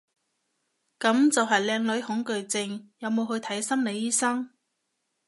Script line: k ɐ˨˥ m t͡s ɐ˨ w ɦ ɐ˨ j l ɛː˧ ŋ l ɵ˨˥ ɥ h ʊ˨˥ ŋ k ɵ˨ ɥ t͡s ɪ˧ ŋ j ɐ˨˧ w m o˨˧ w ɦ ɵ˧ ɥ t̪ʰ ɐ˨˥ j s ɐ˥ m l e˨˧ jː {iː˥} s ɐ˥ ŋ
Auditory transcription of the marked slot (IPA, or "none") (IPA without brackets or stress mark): iː˥